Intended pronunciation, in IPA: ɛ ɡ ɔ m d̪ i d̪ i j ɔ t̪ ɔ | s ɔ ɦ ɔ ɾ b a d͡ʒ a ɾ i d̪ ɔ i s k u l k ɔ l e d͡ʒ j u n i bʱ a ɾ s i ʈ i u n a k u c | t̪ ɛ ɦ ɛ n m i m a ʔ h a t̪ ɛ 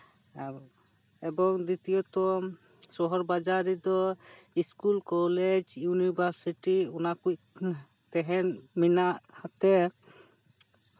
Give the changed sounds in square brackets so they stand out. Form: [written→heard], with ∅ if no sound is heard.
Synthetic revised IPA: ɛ [ɡ→b] ɔ [m→ŋ] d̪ i [d̪→t̪] i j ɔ t̪ ɔ | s ɔ ɦ ɔ ɾ b a d͡ʒ a ɾ i d̪ ɔ i s k u l k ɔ l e d͡ʒ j u n i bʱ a ɾ s i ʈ i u n a k u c | t̪ ɛ ɦ ɛ n m i [m→n] a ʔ h a t̪ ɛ